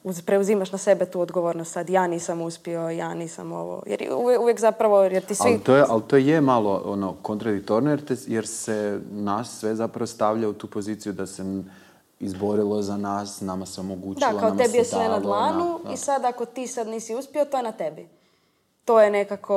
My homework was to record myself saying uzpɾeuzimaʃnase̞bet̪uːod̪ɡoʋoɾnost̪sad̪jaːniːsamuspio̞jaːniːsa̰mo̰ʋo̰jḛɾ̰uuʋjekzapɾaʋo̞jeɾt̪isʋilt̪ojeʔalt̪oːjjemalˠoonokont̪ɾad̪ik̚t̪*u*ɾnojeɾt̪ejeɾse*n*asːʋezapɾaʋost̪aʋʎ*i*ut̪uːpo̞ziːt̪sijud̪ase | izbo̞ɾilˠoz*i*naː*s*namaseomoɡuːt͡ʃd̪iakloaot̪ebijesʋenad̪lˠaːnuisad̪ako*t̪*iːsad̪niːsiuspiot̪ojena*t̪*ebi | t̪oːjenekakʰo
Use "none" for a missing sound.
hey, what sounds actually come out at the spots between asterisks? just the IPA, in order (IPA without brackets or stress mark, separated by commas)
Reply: o, n, a, a, s, t̪, t̪